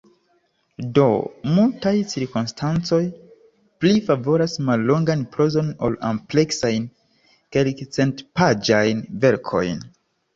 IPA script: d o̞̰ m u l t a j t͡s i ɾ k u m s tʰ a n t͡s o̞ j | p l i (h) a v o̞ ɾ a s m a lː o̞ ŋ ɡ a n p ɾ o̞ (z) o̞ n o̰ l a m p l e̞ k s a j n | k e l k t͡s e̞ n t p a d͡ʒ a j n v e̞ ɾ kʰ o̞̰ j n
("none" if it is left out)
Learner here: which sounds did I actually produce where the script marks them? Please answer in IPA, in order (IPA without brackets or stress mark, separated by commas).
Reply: f, z